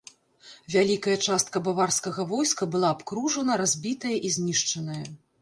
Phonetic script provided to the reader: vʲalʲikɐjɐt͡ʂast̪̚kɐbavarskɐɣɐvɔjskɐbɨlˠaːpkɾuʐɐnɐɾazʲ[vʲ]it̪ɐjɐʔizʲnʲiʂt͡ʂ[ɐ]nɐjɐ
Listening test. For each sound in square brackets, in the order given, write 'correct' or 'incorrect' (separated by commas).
incorrect, correct